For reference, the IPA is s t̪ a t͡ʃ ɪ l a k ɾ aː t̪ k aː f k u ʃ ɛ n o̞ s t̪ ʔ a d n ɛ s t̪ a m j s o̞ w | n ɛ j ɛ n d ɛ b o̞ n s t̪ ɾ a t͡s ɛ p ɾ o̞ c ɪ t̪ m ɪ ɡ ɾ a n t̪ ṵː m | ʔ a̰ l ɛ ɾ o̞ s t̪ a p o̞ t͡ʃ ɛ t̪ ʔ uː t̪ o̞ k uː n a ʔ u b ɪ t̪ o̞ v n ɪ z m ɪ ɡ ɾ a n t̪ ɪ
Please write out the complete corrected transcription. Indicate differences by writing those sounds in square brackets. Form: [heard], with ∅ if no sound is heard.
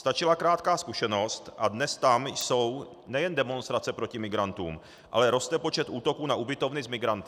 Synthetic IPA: s t̪ a t͡ʃ ɪ l a k ɾ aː t̪ k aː [s] k u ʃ ɛ n o̞ s t̪ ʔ a d n ɛ s t̪ a m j s o̞ w | n ɛ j ɛ n d ɛ [m] o̞ n s t̪ ɾ a t͡s ɛ p ɾ o̞ c ɪ [∅] m ɪ ɡ ɾ a n t̪ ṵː m | ʔ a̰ l ɛ ɾ o̞ s t̪ [ɛ] p o̞ t͡ʃ ɛ t̪ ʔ uː t̪ o̞ k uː n a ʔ u b ɪ t̪ o̞ v n ɪ z m ɪ ɡ ɾ a n t̪ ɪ